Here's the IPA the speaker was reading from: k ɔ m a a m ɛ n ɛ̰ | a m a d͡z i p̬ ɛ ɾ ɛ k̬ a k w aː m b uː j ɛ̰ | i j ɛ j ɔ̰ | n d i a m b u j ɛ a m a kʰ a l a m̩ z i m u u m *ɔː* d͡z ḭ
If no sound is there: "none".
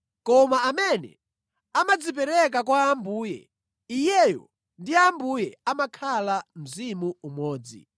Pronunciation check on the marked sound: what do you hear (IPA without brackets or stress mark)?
ɔː